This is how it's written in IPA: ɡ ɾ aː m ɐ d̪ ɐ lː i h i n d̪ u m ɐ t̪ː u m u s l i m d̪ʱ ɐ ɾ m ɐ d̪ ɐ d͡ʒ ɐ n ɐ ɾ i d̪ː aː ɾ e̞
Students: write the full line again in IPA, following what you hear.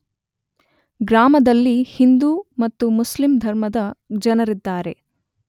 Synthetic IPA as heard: ɡ ɾ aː m ɐ d̪ ɐ lː i h i n d̪ u m ɐ t̪ː u m u s l i m d̪ʱ ɐ ɾ m ɐ d̪ ɐ d͡ʒ ɐ n ɐ ɾ i d̪ː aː ɾ e̞